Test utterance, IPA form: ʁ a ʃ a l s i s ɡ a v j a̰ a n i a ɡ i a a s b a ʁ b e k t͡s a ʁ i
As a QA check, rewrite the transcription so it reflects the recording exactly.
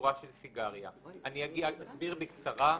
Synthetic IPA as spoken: ʁ a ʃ e l s i ɡ a ʁ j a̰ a n i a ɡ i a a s b i ʁ b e k t͡s a ʁ a